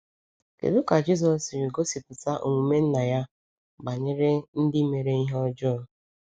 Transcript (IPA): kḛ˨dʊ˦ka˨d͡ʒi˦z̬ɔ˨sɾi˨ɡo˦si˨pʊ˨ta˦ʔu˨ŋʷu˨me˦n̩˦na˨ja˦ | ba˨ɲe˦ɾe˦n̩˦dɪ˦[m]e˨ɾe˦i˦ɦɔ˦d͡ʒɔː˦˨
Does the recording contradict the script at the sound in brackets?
no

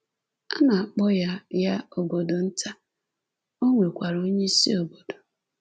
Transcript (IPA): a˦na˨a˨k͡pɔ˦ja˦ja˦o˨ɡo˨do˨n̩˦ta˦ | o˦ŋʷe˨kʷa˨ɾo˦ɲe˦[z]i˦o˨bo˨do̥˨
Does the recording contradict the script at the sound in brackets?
yes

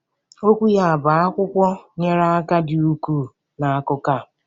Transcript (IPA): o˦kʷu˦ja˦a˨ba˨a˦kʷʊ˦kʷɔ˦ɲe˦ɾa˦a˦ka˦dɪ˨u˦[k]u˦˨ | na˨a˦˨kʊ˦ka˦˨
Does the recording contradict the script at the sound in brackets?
no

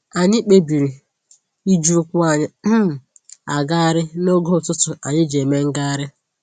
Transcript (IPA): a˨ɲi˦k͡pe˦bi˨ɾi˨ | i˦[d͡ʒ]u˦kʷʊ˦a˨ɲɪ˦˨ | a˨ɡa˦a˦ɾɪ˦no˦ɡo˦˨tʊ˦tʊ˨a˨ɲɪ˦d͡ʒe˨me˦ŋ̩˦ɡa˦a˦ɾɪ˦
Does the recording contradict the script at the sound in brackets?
no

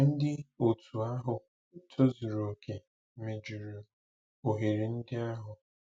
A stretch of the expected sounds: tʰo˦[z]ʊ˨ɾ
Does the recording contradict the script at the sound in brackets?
no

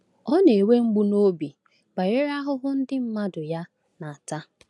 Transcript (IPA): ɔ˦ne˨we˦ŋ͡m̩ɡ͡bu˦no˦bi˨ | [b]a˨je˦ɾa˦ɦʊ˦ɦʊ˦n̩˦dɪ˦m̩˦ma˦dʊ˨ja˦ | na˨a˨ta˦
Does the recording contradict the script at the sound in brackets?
no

